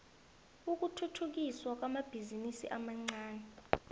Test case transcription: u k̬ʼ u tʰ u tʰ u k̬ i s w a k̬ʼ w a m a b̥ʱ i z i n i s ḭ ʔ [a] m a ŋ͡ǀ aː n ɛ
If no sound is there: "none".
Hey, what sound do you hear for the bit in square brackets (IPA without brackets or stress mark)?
a